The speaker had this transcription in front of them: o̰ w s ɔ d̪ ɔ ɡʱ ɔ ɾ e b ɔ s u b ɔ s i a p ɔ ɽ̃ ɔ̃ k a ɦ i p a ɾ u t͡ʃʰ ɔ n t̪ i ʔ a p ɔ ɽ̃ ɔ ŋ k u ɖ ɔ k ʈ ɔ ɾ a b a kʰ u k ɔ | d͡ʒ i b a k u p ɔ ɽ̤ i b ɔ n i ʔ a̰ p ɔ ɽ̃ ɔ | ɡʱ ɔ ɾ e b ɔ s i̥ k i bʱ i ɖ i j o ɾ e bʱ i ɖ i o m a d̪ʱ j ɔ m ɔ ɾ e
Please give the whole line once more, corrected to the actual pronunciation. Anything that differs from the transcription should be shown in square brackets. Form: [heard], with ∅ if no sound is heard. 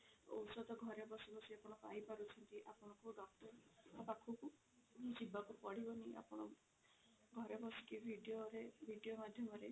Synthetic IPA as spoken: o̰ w s ɔ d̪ ɔ ɡʱ ɔ ɾ e b ɔ s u b ɔ s i a p ɔ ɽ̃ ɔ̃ k a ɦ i p a ɾ u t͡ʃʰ ɔ n t̪ i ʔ a p ɔ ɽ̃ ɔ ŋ k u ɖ ɔ k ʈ ɔ ɾ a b a kʰ u k [u] | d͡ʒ i b a k u p ɔ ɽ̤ i b ɔ n i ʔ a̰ p ɔ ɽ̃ ɔ | ɡʱ ɔ ɾ e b ɔ s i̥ k i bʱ i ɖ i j o ɾ e bʱ i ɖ i o m a d̪ʱ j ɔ m ɔ ɾ e